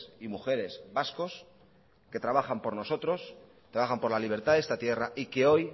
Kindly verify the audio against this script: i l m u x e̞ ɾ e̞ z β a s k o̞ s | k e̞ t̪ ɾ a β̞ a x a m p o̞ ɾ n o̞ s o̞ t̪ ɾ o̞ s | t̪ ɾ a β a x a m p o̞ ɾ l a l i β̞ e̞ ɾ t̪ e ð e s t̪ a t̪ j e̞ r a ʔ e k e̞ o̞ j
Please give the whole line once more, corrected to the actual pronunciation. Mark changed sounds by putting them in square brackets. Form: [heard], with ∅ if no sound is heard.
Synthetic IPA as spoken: i [∅] m u x e̞ ɾ e̞ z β a s k o̞ s | k e̞ t̪ ɾ a β̞ a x a m p o̞ ɾ n o̞ s o̞ t̪ ɾ o̞ s | t̪ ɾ a β a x a m p o̞ ɾ l a l i β̞ e̞ ɾ t̪ [a] ð e s t̪ a t̪ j e̞ r a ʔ [i] k e̞ o̞ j

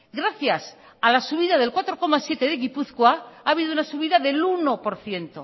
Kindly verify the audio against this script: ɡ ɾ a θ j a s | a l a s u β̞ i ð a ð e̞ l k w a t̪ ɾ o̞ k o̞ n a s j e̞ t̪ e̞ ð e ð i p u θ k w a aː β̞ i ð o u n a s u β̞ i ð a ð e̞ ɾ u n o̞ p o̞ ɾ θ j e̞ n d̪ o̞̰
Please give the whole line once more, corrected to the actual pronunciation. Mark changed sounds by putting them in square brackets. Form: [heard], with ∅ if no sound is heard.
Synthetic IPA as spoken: ɡ ɾ a θ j a s | a l a s u β̞ i ð a ð e̞ l k w a t̪ ɾ o̞ k o̞ [m] a s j e̞ t̪ e̞ ð e [ɣ] i p u θ k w a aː β̞ i ð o u n a s u β̞ i ð a ð e̞ [l] u n o̞ p o̞ ɾ θ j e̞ n [t̪] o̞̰

